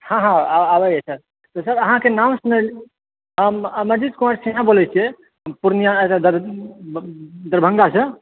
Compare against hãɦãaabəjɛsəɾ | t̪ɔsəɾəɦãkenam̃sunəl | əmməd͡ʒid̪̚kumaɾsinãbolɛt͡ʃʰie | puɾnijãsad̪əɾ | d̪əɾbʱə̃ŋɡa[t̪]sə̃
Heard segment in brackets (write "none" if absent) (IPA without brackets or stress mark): none